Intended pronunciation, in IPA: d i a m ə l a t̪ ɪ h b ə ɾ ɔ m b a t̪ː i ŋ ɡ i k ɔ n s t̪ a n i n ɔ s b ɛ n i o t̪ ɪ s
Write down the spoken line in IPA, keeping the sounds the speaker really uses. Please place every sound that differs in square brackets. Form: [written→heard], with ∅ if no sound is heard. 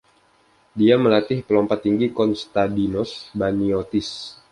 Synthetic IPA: d i a m ə l a t̪ ɪ h [b→p] ə [ɾ→l] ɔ m [b→p] a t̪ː i ŋ ɡ i k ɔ n s t̪ a [n→d] i n ɔ s b [ɛ→a] n i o t̪ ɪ s